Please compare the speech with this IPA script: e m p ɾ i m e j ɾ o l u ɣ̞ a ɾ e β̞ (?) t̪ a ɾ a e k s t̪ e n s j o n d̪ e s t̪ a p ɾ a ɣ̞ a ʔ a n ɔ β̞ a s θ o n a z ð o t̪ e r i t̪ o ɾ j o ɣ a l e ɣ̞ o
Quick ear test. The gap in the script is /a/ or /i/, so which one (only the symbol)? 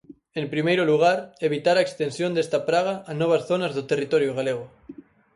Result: i